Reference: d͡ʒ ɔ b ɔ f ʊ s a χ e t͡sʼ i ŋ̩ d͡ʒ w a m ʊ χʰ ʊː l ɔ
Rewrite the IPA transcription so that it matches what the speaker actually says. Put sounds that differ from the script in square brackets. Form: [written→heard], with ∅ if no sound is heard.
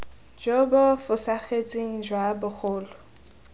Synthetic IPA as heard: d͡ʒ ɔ b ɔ f ʊ s a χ e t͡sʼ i ŋ̩ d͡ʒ w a [m→b] ʊ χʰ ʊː l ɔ